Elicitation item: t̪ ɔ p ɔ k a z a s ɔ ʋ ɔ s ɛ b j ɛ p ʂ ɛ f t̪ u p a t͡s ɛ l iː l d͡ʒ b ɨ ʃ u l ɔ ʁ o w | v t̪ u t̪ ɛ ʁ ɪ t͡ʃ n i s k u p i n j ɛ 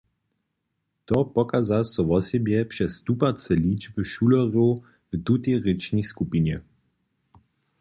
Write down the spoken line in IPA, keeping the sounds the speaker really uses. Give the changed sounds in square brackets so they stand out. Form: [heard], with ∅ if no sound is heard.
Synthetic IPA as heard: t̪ ɔ p ɔ k a z a s ɔ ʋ ɔ s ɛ b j ɛ p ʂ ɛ [s] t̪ u p a t͡s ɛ l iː [∅] d͡ʒ b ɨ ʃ u l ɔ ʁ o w | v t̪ u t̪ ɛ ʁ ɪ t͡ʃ n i s k u p i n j ɛ